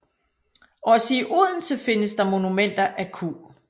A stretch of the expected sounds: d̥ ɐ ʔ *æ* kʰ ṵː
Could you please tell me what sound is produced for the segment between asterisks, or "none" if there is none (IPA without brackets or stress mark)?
æ